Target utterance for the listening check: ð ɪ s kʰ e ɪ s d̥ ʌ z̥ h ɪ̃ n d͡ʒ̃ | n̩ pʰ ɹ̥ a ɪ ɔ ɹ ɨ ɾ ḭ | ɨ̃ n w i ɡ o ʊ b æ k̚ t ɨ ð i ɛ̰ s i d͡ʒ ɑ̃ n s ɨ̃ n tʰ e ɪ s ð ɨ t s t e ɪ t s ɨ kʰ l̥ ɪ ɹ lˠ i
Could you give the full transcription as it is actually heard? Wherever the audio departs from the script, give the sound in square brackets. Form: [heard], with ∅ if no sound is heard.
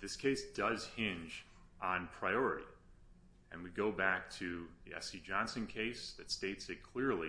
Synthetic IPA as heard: ð ɪ s kʰ e ɪ s d̥ ʌ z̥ h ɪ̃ n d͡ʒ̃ | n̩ pʰ ɹ̥ a ɪ ɔ ɹ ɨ ɾ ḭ | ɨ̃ n w i ɡ o ʊ b æ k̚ [tʰ] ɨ ð i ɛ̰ s i d͡ʒ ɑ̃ n s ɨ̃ n [kʰ] e ɪ s ð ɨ t s t e ɪ t s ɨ kʰ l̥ ɪ ɹ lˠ i